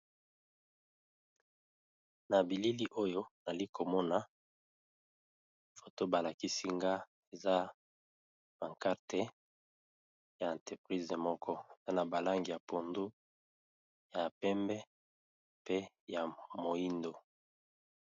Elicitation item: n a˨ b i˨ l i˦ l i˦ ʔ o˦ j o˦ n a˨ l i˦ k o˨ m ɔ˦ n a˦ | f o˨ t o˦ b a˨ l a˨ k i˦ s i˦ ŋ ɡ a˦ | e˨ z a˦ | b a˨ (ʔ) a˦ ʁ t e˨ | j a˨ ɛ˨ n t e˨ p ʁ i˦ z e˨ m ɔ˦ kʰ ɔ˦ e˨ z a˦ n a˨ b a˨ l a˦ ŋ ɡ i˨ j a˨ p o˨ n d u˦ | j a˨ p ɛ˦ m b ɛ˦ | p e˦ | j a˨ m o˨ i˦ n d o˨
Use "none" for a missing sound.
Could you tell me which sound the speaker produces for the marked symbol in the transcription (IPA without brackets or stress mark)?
k